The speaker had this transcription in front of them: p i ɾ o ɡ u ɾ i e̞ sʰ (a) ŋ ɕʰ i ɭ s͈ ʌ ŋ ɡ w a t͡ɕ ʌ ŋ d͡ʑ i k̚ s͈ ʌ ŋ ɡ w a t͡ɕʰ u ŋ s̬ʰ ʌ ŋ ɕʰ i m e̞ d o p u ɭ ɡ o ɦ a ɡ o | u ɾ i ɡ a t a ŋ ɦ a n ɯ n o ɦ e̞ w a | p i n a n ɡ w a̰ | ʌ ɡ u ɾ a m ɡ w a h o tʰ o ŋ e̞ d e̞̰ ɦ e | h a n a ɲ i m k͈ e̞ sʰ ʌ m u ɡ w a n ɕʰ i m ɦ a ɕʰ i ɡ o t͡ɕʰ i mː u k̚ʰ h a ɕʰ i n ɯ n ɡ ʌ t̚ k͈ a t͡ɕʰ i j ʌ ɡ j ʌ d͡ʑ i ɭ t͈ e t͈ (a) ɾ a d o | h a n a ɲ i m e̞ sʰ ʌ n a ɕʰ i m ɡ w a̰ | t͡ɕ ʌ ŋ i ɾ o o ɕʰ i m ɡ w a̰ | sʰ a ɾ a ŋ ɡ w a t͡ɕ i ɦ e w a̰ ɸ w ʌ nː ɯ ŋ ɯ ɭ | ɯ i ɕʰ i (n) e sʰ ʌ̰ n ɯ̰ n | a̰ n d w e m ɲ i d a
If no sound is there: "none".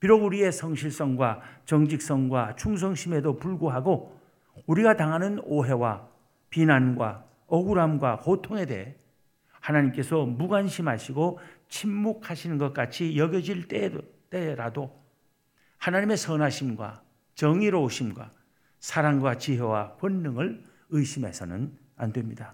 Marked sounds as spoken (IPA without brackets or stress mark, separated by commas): ʌ, e, m